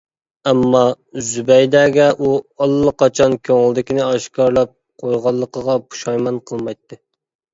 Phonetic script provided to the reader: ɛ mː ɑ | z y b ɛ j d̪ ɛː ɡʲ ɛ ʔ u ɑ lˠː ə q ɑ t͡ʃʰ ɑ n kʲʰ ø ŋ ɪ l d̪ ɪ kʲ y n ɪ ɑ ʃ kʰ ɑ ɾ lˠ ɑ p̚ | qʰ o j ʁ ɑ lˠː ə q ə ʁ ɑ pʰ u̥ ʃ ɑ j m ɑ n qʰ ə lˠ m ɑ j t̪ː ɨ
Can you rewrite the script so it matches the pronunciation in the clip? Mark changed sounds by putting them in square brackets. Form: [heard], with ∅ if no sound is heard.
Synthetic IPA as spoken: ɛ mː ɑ | z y b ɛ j d̪ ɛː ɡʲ ɛ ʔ u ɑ lˠː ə q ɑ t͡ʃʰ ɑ n kʲʰ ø ŋ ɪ l d̪ ɪ kʲ [i] n ɪ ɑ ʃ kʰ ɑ ɾ lˠ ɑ p̚ | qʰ o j ʁ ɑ lˠː ə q ə ʁ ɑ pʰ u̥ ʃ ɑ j m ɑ n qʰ ə lˠ m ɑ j t̪ː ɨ

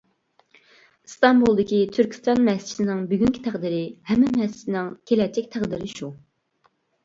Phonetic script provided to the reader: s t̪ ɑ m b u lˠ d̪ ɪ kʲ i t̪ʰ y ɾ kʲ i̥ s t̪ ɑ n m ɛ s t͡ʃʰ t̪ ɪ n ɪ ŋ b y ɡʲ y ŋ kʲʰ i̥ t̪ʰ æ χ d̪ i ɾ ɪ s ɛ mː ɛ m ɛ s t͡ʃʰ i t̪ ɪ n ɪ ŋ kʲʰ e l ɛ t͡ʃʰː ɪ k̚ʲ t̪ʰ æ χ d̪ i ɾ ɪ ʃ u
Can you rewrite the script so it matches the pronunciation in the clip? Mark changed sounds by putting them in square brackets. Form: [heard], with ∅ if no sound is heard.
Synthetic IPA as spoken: s t̪ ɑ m b u lˠ d̪ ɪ kʲ i t̪ʰ y ɾ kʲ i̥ s t̪ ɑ n m ɛ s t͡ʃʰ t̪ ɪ n ɪ ŋ b y ɡʲ y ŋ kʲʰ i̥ t̪ʰ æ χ d̪ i ɾ ɪ [h] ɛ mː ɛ m ɛ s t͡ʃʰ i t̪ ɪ n ɪ ŋ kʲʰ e l ɛ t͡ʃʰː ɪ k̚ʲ t̪ʰ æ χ d̪ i ɾ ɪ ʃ u

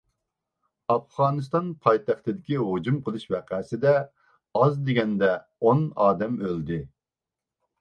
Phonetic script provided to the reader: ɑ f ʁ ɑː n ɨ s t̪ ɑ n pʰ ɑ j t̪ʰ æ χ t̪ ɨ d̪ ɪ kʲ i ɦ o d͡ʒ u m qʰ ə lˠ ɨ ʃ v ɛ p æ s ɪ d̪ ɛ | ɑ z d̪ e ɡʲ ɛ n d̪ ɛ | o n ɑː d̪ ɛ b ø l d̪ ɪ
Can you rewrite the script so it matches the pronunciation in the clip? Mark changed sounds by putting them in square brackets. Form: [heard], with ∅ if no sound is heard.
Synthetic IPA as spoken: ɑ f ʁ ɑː n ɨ s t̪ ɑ n pʰ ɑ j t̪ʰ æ χ t̪ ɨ d̪ ɪ kʲ i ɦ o d͡ʒ u m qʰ ə lˠ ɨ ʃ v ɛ [q] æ s ɪ d̪ ɛ | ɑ z d̪ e ɡʲ ɛ n d̪ ɛ | o n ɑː d̪ ɛ [m] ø l d̪ ɪ

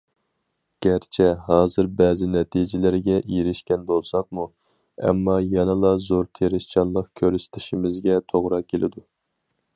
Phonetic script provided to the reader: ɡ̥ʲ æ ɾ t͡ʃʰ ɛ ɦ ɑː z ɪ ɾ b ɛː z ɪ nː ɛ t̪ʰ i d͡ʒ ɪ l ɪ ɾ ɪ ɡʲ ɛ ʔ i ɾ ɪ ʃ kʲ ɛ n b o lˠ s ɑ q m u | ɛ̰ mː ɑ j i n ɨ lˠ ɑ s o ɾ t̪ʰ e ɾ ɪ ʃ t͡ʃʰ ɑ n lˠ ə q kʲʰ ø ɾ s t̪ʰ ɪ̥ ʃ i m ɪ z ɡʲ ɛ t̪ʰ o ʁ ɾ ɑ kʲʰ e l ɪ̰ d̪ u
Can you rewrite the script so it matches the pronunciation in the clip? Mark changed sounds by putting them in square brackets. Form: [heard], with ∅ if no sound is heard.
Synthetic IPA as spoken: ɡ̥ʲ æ ɾ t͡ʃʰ ɛ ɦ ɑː z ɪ ɾ b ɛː z ɪ [n] ɛ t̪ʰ i d͡ʒ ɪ l ɪ ɾ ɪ ɡʲ ɛ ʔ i ɾ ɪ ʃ kʲ ɛ n b o lˠ s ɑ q m u | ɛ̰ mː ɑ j [ɛ] n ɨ lˠ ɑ [z] o ɾ t̪ʰ e ɾ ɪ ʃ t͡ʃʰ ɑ n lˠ ə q kʲʰ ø ɾ s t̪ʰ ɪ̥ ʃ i m ɪ z ɡʲ ɛ t̪ʰ o ʁ ɾ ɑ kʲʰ e l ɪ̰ d̪ u

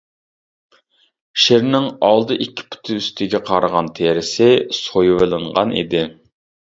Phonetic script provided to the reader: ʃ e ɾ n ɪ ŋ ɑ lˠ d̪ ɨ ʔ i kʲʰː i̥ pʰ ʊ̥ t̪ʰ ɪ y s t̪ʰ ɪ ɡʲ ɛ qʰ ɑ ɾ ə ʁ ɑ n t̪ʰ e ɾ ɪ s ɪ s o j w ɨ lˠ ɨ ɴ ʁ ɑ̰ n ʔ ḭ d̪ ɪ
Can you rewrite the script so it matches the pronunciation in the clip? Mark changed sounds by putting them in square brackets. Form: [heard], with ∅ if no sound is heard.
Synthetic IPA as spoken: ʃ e ɾ n ɪ ŋ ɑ lˠ d̪ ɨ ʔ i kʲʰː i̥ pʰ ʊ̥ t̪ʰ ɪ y s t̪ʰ ɪ ɡʲ ɛ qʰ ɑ ɾ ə ʁ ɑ n t̪ʰ e ɾ ɪ s ɪ s o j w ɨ lˠ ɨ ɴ ʁ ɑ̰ n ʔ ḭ d̪ ɪ

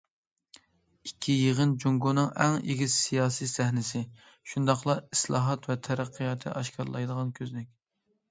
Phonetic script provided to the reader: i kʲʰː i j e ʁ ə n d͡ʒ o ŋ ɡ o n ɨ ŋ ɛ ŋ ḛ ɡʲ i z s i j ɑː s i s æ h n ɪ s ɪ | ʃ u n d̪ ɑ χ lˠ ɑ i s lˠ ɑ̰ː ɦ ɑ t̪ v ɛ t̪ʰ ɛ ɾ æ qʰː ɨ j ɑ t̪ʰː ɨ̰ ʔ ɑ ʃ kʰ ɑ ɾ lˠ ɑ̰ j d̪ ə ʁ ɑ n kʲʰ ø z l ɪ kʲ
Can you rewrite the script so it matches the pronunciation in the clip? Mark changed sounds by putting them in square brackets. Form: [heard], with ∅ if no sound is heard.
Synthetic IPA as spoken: i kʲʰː i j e ʁ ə n d͡ʒ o ŋ ɡ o n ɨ ŋ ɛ ŋ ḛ ɡʲ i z s i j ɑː s i s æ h n ɪ s ɪ | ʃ u n d̪ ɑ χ lˠ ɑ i s lˠ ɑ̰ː ɦ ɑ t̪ v ɛ t̪ʰ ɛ ɾ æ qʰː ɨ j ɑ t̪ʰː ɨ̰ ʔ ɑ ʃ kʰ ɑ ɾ lˠ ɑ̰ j d̪ ə ʁ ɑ n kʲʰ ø z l ɪ kʲ

